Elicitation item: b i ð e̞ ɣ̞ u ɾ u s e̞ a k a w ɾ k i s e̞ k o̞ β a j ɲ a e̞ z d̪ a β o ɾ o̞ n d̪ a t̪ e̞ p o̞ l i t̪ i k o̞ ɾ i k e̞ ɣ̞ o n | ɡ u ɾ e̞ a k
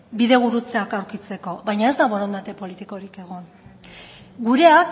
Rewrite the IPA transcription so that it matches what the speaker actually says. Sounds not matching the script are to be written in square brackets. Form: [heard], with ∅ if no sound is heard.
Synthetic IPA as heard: b i ð e̞ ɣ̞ u ɾ u [t͡s] e̞ a k a w ɾ k i [t͡s] e̞ k o̞ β a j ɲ a e̞ z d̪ a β o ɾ o̞ n d̪ a t̪ e̞ p o̞ l i t̪ i k o̞ ɾ i k e̞ ɣ̞ o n | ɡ u ɾ e̞ a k